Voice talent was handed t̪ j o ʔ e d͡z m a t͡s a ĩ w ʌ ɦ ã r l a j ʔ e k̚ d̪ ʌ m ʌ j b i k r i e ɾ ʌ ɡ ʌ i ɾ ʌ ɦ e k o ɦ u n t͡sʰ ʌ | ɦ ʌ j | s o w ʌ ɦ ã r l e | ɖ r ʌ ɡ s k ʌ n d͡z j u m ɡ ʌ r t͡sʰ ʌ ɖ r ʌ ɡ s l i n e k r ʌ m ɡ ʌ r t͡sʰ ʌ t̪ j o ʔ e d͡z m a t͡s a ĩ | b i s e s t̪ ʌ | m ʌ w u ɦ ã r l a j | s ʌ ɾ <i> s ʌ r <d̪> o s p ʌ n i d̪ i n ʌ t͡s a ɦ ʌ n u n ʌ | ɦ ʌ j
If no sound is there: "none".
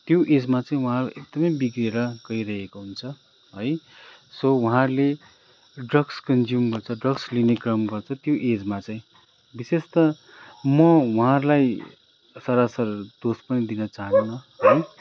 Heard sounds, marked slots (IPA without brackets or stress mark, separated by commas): a, d̪